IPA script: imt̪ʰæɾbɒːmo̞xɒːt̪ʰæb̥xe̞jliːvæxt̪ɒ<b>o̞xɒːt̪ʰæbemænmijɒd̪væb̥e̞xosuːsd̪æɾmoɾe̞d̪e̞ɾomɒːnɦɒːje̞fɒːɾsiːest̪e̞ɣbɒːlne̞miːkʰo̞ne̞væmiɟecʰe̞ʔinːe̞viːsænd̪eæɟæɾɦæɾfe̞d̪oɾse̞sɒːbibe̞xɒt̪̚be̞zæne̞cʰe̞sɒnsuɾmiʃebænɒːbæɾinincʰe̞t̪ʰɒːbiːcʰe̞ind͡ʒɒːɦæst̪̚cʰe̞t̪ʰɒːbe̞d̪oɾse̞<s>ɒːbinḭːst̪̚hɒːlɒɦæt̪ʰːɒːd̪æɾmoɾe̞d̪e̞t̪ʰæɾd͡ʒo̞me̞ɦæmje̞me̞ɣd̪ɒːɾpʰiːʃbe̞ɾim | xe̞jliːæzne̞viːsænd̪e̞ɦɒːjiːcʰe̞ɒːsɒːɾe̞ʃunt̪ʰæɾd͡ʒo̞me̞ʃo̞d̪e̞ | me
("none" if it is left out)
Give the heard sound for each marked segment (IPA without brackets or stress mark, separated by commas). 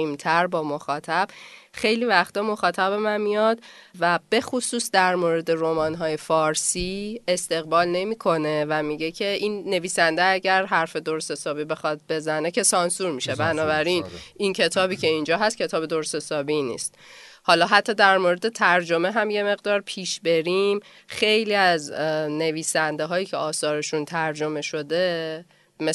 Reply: m, s